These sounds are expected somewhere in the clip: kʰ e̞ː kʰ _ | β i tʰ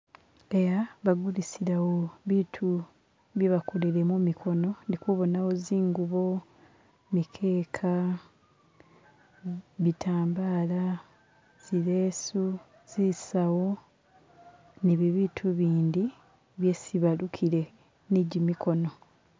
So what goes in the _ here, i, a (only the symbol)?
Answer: a